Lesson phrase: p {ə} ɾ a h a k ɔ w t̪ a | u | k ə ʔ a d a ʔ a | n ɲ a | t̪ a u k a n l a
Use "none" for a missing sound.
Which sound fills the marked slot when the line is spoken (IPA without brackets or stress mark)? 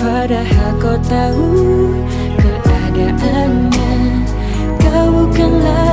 a